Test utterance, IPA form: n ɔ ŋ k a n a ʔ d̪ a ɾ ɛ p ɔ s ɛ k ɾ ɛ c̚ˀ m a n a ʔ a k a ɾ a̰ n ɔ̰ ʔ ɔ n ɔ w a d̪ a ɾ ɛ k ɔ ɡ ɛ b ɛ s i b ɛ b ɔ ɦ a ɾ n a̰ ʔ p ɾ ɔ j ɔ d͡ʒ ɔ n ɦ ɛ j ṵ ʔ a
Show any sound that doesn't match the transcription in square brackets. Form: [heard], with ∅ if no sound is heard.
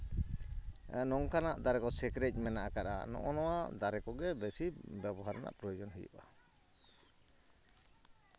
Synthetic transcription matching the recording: n ɔ ŋ k a n a ʔ d̪ a ɾ ɛ [k] ɔ s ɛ k ɾ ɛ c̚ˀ m [ɛ] n a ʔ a k a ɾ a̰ n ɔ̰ ʔ ɔ n ɔ w a d̪ a ɾ ɛ k ɔ ɡ ɛ b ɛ s i b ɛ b ɔ ɦ a ɾ n a̰ ʔ p ɾ ɔ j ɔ d͡ʒ ɔ n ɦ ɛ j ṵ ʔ a